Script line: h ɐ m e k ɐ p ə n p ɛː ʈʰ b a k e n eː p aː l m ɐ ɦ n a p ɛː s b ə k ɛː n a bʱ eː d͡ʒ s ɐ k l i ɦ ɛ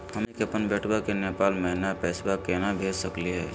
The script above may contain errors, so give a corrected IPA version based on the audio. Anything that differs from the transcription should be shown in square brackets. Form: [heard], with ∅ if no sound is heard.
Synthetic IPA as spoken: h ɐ m e k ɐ p ə n [b] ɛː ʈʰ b a k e n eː p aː l m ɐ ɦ n a p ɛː s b [a] k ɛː n a bʱ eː d͡ʒ s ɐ k l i ɦ [ɛː]